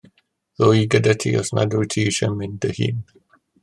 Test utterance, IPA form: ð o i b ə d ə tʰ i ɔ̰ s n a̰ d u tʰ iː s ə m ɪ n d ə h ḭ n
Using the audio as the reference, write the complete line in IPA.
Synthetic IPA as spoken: ð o i ɡ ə d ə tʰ i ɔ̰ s n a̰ d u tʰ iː ʃ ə m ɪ n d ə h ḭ n